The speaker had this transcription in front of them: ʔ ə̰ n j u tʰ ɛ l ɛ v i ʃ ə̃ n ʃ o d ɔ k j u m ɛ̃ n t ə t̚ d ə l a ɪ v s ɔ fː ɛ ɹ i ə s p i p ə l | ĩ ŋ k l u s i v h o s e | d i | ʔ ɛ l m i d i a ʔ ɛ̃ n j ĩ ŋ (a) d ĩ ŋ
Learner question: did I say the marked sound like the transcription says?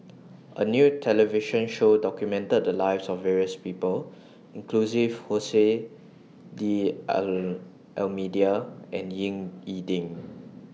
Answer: no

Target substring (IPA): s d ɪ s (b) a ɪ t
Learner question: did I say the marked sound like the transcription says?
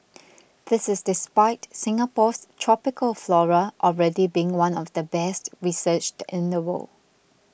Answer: no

